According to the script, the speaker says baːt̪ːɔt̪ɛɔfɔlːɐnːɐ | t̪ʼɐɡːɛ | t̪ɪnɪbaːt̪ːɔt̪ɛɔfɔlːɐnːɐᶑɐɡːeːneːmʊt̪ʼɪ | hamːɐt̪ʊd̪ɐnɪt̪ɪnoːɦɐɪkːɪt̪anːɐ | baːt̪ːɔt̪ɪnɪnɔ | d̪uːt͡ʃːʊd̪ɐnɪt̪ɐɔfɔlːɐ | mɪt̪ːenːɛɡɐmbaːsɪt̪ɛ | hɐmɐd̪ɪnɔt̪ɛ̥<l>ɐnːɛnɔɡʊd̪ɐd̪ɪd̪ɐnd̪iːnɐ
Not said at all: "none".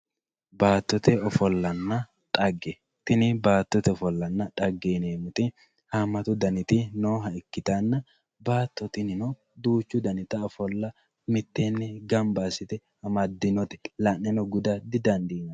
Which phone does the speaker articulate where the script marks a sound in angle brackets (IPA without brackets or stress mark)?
l